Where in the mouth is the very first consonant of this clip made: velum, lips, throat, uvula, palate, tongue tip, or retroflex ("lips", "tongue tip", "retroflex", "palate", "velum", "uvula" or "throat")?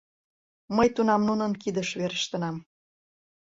lips